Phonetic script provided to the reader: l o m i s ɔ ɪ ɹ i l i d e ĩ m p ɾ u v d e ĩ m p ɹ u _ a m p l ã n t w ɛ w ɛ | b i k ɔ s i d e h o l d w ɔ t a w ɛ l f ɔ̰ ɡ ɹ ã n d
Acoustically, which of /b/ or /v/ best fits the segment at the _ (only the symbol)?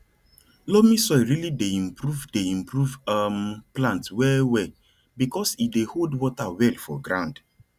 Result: v